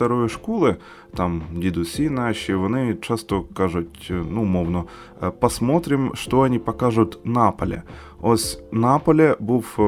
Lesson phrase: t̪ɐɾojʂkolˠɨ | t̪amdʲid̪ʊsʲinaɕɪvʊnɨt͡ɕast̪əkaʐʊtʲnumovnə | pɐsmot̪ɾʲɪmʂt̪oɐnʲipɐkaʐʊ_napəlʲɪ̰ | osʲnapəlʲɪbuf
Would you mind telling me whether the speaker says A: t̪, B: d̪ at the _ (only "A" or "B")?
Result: A